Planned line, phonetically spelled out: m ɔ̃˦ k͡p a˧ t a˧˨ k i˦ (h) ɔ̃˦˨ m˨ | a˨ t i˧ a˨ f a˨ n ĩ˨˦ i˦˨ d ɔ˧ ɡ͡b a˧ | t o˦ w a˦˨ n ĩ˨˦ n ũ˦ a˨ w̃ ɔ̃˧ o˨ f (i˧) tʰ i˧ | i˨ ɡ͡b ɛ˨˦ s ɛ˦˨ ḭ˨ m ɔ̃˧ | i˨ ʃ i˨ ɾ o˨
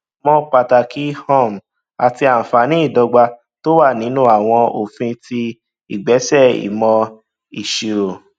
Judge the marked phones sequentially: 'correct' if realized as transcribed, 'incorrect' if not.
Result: correct, incorrect

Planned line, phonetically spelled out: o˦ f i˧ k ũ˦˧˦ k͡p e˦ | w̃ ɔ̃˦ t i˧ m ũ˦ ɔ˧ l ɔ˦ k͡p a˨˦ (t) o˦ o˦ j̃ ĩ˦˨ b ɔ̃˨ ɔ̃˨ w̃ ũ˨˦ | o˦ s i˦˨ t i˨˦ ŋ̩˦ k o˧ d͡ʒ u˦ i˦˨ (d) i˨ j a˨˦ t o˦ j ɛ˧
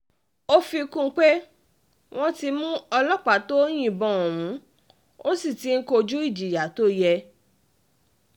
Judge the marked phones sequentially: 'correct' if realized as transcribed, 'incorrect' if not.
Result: correct, incorrect

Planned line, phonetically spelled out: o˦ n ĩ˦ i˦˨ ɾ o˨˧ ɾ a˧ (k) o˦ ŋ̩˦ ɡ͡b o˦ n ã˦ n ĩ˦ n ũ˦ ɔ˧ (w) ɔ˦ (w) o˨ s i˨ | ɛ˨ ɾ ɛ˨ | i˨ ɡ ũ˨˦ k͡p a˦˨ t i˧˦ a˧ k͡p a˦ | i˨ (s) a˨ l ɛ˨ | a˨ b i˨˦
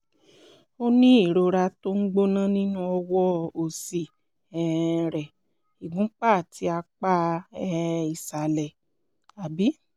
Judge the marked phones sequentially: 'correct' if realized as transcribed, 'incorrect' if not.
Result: incorrect, correct, incorrect, correct

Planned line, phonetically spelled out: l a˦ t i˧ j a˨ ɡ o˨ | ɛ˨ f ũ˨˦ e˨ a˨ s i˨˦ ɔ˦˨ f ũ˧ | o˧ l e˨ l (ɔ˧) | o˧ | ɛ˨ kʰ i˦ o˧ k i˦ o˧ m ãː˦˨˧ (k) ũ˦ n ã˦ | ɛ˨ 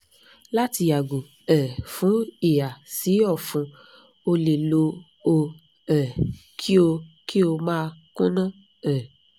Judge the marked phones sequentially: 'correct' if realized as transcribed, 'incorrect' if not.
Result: incorrect, correct

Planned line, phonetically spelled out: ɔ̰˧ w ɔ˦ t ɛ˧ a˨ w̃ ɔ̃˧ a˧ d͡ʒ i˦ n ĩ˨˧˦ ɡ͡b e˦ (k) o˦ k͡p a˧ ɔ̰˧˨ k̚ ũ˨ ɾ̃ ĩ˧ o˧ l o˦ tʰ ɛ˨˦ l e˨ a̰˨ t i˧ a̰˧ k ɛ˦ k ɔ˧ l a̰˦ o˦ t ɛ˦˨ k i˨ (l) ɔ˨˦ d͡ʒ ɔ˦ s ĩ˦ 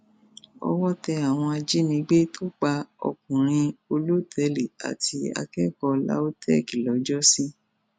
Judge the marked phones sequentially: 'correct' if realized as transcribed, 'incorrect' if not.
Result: incorrect, correct

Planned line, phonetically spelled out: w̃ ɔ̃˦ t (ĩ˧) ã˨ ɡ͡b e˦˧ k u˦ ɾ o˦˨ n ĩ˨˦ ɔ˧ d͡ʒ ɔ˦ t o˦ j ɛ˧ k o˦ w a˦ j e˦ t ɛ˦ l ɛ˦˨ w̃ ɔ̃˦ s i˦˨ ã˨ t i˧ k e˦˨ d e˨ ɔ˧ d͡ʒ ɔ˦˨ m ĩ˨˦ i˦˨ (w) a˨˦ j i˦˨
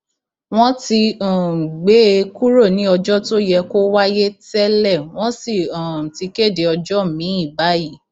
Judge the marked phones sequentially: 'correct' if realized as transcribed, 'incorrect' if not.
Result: incorrect, incorrect

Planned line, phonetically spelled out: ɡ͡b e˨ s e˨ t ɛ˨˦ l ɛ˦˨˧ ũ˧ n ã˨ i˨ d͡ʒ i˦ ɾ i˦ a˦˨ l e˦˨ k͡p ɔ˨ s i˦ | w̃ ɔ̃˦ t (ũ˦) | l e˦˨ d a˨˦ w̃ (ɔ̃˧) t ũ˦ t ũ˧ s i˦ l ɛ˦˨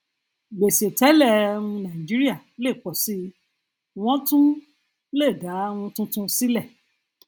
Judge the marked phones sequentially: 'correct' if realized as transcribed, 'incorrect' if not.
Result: correct, incorrect

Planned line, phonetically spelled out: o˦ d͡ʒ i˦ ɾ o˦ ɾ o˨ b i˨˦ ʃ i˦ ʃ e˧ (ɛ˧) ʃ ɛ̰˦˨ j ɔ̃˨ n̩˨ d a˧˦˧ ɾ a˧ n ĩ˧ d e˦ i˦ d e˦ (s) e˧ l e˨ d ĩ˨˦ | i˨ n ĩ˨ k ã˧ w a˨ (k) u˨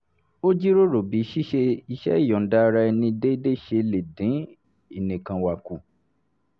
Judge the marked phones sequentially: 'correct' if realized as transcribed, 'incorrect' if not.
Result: incorrect, incorrect, correct

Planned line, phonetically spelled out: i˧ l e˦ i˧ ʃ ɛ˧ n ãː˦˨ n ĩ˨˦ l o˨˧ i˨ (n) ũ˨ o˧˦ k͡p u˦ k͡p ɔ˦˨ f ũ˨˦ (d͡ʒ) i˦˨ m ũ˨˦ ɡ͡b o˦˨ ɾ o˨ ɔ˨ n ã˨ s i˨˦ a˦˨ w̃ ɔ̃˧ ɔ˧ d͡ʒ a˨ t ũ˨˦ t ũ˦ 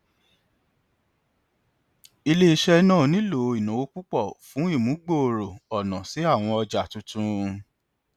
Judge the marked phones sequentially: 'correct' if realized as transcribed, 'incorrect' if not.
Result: correct, incorrect

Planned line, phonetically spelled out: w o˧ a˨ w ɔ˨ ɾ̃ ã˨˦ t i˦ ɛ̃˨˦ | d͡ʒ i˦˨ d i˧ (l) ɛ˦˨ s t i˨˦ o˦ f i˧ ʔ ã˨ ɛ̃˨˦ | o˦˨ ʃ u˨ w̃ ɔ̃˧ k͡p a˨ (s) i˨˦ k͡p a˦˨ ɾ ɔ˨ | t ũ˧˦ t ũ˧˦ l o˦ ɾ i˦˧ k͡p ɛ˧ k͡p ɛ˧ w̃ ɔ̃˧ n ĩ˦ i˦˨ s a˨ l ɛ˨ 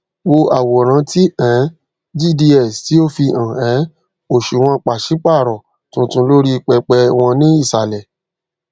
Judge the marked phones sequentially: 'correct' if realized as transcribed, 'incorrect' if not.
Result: incorrect, incorrect

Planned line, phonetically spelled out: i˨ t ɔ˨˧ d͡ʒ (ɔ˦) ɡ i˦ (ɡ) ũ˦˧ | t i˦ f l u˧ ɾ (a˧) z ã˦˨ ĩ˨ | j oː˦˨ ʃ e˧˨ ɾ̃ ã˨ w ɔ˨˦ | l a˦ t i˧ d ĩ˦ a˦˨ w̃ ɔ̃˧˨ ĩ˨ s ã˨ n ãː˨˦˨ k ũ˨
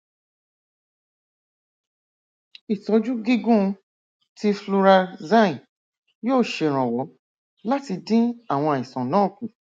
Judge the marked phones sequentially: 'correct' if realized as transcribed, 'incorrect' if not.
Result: incorrect, correct, correct

